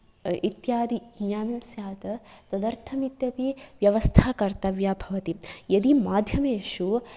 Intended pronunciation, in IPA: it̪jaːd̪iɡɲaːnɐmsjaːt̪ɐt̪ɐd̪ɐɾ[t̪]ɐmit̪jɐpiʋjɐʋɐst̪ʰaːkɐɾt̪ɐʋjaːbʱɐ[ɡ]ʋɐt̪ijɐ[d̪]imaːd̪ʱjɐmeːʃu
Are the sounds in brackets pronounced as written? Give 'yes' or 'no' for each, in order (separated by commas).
no, no, yes